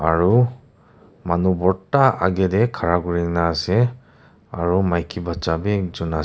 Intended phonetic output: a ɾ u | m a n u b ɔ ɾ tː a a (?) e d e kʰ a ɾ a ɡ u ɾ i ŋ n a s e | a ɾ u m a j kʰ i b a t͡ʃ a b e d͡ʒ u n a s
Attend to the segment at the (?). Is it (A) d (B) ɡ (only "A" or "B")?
B